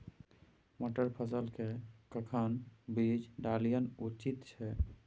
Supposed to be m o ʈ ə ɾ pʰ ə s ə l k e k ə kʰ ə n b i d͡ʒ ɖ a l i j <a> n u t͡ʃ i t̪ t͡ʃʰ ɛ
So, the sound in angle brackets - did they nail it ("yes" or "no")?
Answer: no